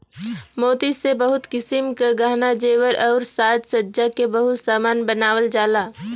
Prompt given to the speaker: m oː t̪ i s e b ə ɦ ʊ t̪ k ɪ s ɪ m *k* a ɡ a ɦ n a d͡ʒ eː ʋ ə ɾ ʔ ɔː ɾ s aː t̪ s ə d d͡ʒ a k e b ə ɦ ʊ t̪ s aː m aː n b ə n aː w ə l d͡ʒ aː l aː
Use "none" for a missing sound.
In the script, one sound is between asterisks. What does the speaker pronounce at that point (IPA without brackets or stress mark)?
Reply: k